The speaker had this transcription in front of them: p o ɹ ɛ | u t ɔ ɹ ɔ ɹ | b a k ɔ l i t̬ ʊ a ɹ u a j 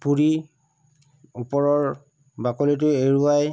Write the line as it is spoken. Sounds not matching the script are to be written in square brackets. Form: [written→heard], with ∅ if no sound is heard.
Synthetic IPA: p [o→u] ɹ [ɛ→i] | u [t→p] ɔ ɹ ɔ ɹ | b a k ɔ l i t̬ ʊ [a→e] ɹ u a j